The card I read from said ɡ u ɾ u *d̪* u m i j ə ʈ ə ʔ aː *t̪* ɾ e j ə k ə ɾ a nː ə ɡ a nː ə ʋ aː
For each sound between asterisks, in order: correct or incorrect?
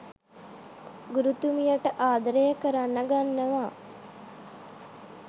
incorrect: t̪, incorrect: d̪

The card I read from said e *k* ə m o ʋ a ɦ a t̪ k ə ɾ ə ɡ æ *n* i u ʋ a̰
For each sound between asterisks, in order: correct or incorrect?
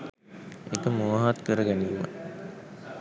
correct, correct

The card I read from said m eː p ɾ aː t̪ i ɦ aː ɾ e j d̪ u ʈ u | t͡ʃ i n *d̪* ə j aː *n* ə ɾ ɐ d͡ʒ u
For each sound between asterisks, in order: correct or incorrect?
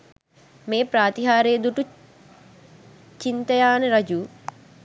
incorrect: t̪, correct

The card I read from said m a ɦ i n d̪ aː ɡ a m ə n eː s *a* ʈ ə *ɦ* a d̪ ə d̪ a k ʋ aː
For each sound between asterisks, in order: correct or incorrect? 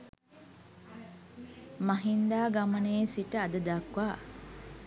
incorrect: i, incorrect: none

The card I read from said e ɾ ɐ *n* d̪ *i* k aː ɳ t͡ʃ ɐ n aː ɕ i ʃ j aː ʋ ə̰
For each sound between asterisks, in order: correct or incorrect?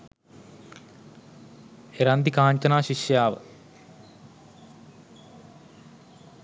correct, correct

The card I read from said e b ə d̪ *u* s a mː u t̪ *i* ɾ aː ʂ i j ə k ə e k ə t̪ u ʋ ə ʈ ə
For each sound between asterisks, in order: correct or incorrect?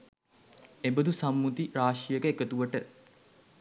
correct, correct

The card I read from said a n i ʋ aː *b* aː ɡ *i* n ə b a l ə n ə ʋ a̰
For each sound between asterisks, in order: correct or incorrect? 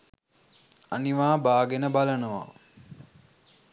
correct, incorrect: e

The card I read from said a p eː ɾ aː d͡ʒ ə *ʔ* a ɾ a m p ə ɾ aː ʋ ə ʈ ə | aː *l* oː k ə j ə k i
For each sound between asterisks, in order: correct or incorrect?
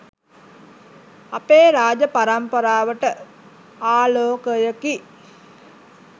incorrect: p, correct

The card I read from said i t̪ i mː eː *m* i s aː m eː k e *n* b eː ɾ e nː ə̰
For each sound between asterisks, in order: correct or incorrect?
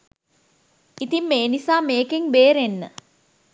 incorrect: n, incorrect: ŋ

